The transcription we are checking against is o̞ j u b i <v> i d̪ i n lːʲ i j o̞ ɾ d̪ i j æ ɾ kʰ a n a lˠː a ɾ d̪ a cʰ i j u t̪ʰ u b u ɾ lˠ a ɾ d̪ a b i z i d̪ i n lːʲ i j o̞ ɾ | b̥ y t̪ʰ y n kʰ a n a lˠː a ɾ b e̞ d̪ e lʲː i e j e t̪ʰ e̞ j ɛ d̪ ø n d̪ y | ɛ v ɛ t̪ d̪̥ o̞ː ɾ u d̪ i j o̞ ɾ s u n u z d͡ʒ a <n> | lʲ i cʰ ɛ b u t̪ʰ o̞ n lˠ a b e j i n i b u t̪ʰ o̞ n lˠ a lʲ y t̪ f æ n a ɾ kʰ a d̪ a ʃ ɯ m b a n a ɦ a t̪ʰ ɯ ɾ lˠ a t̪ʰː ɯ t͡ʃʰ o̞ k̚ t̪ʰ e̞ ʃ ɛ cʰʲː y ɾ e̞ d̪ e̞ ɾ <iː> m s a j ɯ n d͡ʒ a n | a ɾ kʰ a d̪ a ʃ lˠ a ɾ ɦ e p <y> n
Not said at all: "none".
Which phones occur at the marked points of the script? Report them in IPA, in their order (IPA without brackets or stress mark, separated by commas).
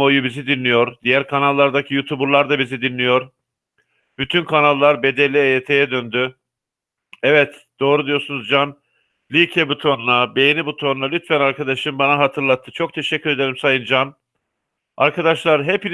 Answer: z, n, i, i